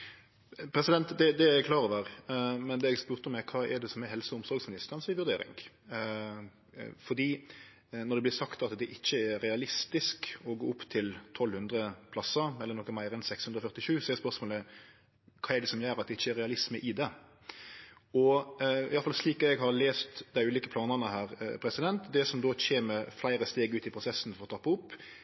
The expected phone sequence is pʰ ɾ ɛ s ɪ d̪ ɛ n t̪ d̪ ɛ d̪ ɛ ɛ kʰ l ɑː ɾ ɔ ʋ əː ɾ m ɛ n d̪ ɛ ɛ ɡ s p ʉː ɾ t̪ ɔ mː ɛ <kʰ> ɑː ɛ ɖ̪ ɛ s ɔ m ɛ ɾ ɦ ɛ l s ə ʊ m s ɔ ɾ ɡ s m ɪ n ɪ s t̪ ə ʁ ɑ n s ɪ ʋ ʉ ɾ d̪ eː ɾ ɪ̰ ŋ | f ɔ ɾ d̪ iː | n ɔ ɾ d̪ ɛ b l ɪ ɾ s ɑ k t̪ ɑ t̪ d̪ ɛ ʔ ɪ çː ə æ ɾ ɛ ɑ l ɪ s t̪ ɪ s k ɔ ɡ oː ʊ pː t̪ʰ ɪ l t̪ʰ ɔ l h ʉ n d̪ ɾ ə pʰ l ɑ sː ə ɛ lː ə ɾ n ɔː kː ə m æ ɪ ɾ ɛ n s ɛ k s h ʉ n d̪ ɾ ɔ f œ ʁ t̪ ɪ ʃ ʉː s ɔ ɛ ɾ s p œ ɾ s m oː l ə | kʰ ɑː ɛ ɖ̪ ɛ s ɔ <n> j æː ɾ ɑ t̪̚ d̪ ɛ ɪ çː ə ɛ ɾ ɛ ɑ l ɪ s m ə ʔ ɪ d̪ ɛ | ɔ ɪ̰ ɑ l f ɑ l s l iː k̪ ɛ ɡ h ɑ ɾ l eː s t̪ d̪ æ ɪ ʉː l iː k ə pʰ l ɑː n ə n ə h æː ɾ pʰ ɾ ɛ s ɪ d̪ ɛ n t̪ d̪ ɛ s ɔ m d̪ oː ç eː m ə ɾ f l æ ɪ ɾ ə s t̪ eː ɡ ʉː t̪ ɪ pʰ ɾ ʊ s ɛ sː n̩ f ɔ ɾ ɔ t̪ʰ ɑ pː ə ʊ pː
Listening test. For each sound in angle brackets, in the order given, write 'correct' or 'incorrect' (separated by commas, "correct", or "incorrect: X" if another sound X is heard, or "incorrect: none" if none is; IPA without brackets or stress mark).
correct, incorrect: m